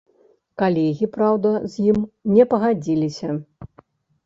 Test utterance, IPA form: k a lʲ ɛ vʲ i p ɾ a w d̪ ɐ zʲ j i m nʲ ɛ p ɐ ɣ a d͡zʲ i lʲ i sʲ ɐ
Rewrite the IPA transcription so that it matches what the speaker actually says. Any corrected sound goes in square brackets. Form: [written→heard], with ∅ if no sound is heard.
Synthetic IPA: k a lʲ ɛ [vʲ→ɣʲ] i p ɾ a w d̪ ɐ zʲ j i m nʲ ɛ p ɐ ɣ a d͡zʲ i lʲ i sʲ ɐ